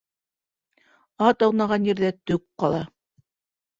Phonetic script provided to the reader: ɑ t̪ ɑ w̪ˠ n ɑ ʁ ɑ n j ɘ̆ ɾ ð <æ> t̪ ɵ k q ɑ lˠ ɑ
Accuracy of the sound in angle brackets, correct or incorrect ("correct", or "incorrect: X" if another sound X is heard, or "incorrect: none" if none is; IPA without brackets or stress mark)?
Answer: correct